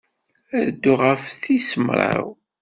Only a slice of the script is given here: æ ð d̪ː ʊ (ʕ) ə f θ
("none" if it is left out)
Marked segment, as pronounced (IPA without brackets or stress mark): ʁ